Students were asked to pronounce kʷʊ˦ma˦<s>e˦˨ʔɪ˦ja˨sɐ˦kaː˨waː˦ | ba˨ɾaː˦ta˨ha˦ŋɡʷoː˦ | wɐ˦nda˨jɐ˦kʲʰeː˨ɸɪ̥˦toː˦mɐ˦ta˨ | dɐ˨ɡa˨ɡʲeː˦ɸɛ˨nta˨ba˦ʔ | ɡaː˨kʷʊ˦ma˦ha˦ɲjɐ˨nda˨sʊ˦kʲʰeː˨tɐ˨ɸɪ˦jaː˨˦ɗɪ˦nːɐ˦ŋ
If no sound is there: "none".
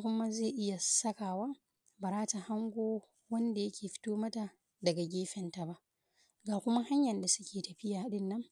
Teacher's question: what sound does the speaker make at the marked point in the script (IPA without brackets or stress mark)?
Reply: z